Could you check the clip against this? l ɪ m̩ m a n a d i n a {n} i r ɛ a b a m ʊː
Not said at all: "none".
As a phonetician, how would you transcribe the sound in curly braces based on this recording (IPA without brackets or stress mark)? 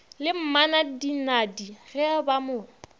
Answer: d